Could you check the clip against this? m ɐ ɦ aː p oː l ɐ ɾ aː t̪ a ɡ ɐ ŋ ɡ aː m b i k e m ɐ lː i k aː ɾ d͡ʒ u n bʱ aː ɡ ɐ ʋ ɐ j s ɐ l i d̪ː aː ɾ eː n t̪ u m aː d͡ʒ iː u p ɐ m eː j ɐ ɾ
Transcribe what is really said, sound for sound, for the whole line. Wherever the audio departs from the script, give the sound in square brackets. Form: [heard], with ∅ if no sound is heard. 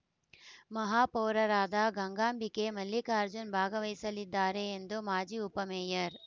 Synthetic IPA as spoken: m ɐ ɦ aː p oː [ɾ] ɐ ɾ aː [d̪] a ɡ ɐ ŋ ɡ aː m b i k e m ɐ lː i k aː ɾ d͡ʒ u n bʱ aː ɡ ɐ ʋ ɐ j s ɐ l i d̪ː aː ɾ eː n [d̪] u m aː d͡ʒ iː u p ɐ m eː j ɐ ɾ